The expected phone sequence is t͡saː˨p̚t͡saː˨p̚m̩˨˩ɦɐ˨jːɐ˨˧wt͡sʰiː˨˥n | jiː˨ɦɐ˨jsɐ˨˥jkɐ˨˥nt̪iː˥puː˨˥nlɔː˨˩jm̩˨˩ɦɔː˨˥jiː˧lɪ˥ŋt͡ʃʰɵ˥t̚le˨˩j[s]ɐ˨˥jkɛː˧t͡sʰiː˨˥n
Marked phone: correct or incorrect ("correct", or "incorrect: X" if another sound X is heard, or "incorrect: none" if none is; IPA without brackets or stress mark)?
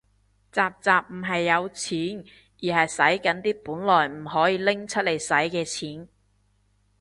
correct